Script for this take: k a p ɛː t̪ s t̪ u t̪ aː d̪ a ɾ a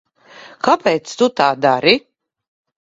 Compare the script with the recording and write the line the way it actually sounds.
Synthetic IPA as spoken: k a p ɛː t̪ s t̪ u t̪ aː d̪ a ɾ i